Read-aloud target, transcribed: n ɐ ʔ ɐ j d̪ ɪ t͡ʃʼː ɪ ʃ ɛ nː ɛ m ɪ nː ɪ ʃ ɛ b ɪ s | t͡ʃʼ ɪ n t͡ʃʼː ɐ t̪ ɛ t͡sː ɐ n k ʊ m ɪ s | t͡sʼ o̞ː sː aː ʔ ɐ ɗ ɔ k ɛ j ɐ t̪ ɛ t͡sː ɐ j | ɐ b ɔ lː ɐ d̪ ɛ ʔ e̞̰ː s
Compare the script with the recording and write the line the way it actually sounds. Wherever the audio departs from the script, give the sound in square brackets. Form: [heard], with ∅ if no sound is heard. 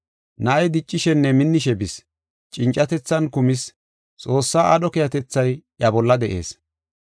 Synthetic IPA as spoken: n ɐ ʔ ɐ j d̪ ɪ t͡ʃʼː ɪ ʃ ɛ nː ɛ m ɪ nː ɪ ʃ ɛ b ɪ s | t͡ʃʼ ɪ n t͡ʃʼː ɐ t̪ ɛ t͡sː ɐ n k ʊ m ɪ s | t͡sʼ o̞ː sː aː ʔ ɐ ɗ ɔ k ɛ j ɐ t̪ ɛ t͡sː ɐ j | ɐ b ɔ lː ɐ d̪ ɛ ʔ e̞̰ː s